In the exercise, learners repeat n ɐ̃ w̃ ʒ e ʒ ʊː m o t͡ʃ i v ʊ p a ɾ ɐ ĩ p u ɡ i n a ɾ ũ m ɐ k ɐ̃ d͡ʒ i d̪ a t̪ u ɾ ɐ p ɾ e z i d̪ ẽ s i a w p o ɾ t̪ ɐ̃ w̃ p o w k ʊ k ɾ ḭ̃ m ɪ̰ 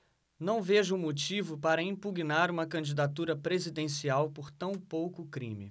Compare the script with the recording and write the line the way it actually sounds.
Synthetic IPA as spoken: n ɐ̃ w̃ v e ʒ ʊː m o t͡ʃ i v ʊ p a ɾ ɐ ĩ p u ɡ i n a ɾ ũ m ɐ k ɐ̃ d͡ʒ i d̪ a t̪ u ɾ ɐ p ɾ e z i d̪ ẽ s i a w p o ɾ t̪ ɐ̃ w̃ p o w k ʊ k ɾ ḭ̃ m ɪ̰

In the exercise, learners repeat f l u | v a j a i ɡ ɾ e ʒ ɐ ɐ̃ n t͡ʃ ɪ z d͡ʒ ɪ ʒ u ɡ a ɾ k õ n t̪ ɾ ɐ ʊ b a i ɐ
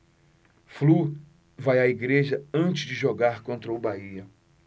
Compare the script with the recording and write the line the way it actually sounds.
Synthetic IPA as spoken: f l u | v a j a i ɡ ɾ e ʒ ɐ ɐ̃ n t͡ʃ ɪ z d͡ʒ ɪ ʒ o ɡ a ɾ k õ n t̪ ɾ ɐ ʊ b a i ɐ

